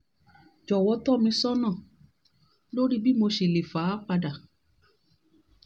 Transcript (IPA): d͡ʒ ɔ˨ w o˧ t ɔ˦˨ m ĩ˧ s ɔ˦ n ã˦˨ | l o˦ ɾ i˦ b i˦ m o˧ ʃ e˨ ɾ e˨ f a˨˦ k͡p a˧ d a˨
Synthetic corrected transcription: d͡ʒ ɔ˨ w ɔ˧ t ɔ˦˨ m ĩ˧ s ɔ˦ n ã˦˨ | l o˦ ɾ i˦ b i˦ m o˧ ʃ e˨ l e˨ f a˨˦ k͡p a˧ d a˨

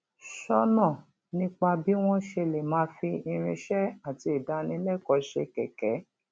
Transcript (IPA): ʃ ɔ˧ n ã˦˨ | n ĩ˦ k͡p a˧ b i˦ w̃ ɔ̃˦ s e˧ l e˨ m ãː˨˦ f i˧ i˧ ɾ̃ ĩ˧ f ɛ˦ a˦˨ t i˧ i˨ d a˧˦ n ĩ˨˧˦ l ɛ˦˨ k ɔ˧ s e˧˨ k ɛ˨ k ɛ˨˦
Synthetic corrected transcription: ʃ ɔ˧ n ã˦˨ | n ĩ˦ k͡p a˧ b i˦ w̃ ɔ̃˦ ʃ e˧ l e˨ m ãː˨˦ f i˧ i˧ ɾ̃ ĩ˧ ʃ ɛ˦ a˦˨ t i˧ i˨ d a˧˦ n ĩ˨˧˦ l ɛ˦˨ k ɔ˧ ʃ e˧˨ k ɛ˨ k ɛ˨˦

